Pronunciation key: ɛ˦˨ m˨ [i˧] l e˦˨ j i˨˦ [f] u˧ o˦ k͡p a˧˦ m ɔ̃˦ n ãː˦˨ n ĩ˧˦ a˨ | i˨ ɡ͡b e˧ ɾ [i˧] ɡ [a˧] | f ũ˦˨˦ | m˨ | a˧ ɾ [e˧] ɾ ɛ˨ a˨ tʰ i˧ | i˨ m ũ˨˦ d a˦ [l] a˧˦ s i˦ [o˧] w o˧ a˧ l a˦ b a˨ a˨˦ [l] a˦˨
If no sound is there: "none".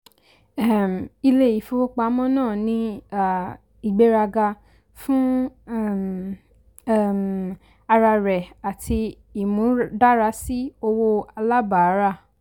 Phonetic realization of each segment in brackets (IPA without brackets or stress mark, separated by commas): i˧, f, a˧, a˧, a˧, ɾ, o˧, ɾ